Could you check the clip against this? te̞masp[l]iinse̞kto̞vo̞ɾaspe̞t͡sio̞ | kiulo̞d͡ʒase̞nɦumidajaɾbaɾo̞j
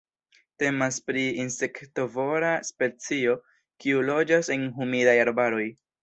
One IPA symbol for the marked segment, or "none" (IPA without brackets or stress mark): ɾ